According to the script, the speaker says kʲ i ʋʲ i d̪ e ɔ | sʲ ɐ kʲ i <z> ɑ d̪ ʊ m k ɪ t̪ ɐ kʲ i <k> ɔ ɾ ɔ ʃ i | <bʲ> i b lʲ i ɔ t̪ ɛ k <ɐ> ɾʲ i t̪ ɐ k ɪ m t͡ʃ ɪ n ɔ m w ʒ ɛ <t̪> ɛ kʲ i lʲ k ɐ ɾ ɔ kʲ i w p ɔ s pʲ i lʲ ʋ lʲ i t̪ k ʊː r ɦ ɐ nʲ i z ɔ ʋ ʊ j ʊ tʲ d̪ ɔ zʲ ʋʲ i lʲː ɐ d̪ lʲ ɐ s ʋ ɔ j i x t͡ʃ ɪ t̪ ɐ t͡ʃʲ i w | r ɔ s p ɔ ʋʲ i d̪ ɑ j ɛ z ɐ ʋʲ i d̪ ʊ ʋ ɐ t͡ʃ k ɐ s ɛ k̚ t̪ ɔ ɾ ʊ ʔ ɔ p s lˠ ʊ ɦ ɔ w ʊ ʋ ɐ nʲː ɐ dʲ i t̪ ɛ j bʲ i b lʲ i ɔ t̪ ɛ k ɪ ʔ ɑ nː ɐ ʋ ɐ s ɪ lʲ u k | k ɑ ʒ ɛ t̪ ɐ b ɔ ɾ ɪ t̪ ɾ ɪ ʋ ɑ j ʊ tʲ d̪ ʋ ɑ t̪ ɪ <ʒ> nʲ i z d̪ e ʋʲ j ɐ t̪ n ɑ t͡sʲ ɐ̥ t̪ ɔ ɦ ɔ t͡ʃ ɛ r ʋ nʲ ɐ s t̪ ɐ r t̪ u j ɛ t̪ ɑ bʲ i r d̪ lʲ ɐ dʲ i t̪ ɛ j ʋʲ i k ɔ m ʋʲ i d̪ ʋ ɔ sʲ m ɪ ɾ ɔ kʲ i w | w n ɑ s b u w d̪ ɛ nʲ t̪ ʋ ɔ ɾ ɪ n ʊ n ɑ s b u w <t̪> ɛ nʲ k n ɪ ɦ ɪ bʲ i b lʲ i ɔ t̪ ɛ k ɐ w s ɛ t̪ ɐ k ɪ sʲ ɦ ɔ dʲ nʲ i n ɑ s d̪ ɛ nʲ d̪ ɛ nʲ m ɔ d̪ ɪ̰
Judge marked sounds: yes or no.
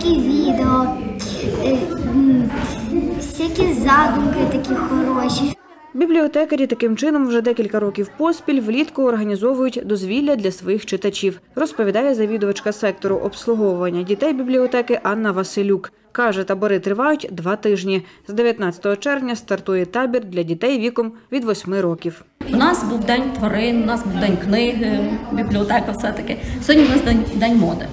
yes, no, yes, yes, no, yes, no

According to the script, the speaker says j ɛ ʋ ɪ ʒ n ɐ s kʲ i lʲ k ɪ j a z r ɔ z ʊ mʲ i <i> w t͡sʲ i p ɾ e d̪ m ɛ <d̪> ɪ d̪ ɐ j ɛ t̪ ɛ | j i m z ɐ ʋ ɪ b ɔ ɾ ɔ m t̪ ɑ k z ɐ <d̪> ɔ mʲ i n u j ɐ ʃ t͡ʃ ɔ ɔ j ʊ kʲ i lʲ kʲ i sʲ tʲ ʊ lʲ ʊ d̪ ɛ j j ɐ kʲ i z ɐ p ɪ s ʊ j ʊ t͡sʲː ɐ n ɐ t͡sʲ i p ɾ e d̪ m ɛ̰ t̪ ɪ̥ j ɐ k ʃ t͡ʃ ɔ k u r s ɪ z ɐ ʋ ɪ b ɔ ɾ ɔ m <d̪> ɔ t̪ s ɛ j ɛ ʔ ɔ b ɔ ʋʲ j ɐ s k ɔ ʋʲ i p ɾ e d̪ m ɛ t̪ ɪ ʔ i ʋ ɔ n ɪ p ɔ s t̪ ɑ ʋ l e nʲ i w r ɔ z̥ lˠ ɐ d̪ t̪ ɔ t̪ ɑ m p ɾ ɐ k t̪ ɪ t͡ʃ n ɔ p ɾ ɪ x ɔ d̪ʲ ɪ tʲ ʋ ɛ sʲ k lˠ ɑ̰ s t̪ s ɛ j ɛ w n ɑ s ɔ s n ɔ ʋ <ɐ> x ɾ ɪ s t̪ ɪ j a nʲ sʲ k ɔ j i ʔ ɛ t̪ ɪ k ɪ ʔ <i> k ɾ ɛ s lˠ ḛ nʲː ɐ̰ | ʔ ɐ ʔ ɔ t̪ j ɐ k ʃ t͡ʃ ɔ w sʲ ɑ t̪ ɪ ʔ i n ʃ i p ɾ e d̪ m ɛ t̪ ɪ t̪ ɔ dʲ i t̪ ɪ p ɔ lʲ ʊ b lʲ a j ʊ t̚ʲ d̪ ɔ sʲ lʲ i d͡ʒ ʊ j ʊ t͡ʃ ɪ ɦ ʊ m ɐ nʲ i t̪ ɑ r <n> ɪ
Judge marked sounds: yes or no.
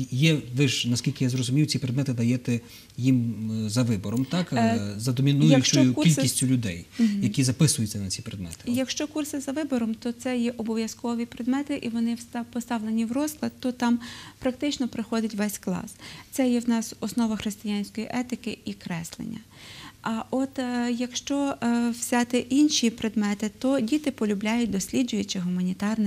no, no, yes, no, yes, yes, yes

